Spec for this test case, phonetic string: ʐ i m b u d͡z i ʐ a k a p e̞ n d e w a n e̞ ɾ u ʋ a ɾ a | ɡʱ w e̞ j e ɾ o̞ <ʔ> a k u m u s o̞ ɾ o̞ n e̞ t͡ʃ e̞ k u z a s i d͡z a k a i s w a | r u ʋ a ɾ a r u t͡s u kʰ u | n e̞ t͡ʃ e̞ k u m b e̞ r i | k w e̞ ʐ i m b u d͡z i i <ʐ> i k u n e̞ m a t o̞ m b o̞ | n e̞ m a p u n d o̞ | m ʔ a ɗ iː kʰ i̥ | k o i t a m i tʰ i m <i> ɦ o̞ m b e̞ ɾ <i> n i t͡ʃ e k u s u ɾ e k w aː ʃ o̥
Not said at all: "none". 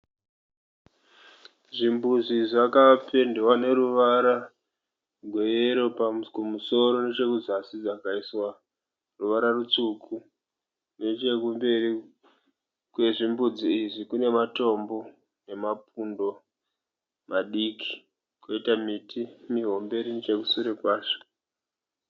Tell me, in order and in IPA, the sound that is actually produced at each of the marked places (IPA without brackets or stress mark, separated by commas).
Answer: p, ʐ, i, i